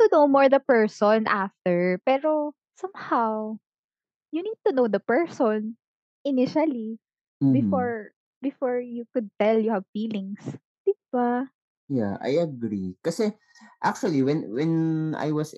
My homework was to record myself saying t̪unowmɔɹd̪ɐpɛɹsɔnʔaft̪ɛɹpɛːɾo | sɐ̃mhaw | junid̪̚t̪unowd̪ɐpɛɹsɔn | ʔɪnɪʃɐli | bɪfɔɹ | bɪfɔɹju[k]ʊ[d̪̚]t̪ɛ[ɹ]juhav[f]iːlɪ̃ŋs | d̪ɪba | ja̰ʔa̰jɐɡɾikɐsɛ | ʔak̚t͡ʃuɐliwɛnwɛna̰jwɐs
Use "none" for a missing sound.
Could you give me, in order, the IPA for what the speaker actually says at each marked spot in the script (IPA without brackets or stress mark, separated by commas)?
k, d̪̚, l, f